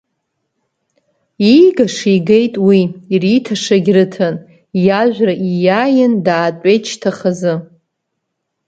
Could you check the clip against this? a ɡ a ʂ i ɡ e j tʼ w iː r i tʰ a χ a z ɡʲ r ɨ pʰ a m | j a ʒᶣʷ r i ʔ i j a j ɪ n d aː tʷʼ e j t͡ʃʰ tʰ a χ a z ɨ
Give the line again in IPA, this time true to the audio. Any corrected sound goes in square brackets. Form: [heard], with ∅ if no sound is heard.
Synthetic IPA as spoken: [i] ɡ a ʂ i ɡ e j tʼ w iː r i tʰ a [ʂ] a [∅] ɡʲ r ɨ [tʰ] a [n] | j a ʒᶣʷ r [a] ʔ i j a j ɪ n d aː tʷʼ e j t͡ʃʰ tʰ a χ a z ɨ

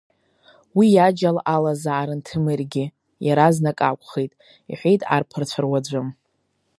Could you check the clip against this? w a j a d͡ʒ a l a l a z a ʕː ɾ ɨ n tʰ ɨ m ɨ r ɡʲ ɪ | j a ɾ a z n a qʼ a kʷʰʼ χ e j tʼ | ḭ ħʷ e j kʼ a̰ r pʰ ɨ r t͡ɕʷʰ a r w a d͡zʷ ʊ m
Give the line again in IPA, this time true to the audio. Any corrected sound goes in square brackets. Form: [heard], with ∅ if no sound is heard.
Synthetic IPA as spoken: w [i] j a d͡ʒ a l a l a z a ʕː ɾ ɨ n tʰ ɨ m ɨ r ɡʲ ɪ | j a ɾ a z n a [kʼ] a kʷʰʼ χ e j tʼ | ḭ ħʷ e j [tʼ] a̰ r pʰ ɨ r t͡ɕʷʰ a r w a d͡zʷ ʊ m

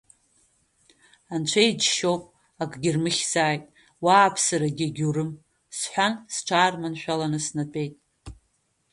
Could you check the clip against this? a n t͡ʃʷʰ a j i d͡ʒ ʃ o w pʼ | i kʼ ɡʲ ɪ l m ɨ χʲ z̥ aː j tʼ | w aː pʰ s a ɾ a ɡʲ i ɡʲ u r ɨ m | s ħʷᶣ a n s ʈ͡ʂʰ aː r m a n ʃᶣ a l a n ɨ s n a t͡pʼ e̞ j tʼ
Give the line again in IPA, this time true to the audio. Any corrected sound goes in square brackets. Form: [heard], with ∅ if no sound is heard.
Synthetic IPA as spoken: a n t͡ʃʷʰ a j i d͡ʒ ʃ o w pʼ | [a] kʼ ɡʲ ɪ [r] m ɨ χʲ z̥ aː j tʼ | w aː pʰ s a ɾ a ɡʲ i ɡʲ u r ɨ m | s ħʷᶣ a n s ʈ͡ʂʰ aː r m a n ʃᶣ a l a n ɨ s n a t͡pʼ e̞ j tʼ

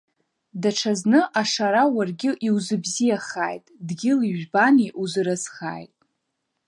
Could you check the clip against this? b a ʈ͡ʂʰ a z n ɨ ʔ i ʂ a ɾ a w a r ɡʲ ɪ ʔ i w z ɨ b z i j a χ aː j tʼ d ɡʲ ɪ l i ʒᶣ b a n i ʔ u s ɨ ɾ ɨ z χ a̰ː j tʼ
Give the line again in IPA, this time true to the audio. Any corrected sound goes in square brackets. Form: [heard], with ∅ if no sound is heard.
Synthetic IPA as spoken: [d] a ʈ͡ʂʰ a z n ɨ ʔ [a] ʂ a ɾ a w a r ɡʲ ɪ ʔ i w z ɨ b z i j a χ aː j tʼ d ɡʲ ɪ l i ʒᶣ b a n i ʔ u [z] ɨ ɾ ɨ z χ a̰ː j tʼ

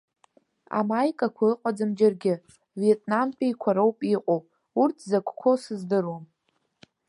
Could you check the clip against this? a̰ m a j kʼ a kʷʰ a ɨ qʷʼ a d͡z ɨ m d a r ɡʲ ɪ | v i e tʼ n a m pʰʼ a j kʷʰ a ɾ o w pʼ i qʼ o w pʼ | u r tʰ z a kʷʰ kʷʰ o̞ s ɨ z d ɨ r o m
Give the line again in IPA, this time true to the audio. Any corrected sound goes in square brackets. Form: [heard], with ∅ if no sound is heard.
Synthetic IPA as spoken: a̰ m a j kʼ a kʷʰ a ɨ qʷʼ a d͡z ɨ m [d͡ʒ] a r ɡʲ ɪ | v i e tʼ n a m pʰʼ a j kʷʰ a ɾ o w pʼ i qʼ o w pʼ | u r tʰ z a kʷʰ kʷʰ o̞ s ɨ z d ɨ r o m

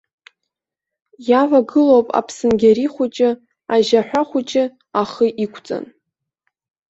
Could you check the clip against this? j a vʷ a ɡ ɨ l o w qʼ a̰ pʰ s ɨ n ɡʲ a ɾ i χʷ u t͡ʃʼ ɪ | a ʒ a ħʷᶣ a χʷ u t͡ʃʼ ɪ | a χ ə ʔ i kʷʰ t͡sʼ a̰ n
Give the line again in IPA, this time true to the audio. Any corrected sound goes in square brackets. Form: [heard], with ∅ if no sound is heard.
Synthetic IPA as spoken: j a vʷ a ɡ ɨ l o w [pʼ] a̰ pʰ s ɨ n ɡʲ a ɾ i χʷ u t͡ʃʼ ɪ | a ʒ a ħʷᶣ a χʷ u t͡ʃʼ ɪ | a χ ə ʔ i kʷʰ t͡sʼ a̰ n

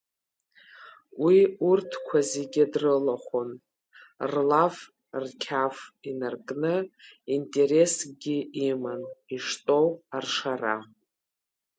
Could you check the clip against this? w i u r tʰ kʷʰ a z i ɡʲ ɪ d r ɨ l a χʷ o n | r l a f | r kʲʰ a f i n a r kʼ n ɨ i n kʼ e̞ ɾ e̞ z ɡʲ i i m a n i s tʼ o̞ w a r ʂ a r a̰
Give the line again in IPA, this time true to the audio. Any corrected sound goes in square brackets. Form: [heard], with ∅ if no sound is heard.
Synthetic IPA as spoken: w i u r tʰ kʷʰ a z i ɡʲ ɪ d r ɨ l a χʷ o n | r l a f | r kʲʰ a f i n a r kʼ n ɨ i n [tʼ] e̞ ɾ e̞ [s] ɡʲ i i m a n i [ʂ] tʼ o̞ w a r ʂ a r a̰

